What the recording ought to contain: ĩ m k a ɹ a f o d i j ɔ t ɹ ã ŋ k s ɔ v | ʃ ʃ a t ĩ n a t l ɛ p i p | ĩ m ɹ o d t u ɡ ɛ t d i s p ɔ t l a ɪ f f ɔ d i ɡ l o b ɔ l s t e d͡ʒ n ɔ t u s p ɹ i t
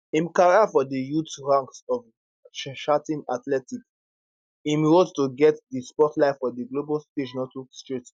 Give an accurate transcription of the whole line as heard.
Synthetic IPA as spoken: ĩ m k a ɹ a f ɔ d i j u t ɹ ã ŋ k s ɔ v | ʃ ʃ a t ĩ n a t l ɛ t i k | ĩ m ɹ o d t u ɡ ɛ t d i s p ɔ t l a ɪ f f ɔ d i ɡ l o b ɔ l s t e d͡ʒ n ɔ t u s t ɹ i t